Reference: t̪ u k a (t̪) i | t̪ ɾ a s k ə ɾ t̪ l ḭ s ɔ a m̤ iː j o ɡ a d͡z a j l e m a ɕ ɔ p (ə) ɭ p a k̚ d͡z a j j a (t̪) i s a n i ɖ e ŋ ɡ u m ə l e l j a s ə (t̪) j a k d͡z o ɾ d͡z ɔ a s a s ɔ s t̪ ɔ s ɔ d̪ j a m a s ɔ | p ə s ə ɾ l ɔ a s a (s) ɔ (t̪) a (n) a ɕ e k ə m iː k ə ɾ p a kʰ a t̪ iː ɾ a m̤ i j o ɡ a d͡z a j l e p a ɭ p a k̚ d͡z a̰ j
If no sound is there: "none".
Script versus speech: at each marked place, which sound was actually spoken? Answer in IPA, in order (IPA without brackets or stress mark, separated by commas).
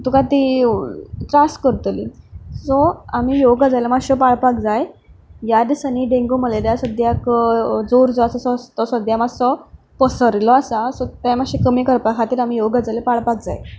t̪, a, d̪, d̪, s, t̪, m